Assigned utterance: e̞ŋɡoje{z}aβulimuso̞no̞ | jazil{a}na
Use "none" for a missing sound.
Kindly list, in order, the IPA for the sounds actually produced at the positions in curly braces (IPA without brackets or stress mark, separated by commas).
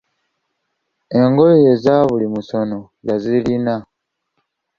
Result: z, i